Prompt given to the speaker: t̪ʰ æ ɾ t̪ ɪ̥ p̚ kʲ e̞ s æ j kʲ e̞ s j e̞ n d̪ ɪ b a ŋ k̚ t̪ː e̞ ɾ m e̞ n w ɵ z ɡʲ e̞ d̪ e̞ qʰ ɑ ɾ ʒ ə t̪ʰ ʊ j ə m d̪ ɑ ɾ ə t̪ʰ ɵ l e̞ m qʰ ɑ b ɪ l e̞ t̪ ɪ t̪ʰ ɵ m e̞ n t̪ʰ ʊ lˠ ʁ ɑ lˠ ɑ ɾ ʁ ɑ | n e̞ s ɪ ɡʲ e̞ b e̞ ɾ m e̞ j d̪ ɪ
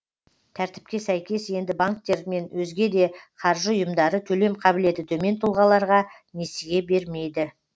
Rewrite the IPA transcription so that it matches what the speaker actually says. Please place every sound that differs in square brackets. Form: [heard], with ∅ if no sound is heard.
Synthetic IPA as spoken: t̪ʰ æ ɾ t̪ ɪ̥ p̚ kʲ e̞ s æ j kʲ e̞ s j e̞ n d̪ ɪ b a ŋ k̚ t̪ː e̞ ɾ m e̞ n w ɵ z ɡʲ e̞ d̪ e̞ qʰ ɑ ɾ ʒ ə [∅] ʊ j ə m d̪ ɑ ɾ ə t̪ʰ ɵ l e̞ m qʰ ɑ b ɪ l e̞ t̪ ɪ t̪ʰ ɵ m e̞ n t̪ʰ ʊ lˠ ʁ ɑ lˠ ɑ ɾ ʁ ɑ | n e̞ s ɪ ɡʲ e̞ b e̞ ɾ m e̞ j d̪ ɪ